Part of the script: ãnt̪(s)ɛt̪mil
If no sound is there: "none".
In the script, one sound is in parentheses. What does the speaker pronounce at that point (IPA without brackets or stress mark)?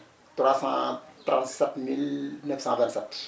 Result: s